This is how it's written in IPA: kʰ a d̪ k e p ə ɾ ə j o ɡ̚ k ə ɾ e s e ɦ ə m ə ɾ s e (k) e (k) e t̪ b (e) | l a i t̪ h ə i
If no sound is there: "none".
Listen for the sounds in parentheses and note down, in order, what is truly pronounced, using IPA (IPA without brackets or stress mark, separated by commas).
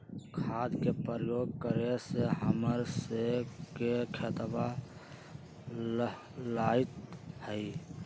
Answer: k, kʰ, a